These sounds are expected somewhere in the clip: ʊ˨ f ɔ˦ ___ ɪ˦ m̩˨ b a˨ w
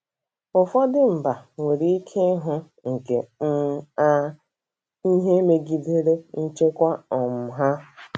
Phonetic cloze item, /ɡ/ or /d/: d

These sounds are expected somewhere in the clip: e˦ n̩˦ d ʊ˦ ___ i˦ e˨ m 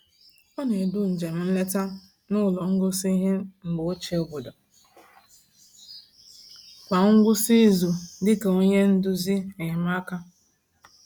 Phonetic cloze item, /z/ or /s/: z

